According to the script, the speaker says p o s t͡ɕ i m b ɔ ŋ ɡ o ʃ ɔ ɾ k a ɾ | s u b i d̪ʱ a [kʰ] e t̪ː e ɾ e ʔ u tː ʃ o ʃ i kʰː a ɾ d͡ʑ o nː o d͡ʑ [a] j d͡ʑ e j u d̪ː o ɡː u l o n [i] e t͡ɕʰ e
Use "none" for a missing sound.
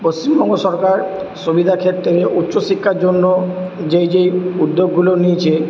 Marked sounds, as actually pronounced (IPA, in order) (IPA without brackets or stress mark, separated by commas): kʰ, e, i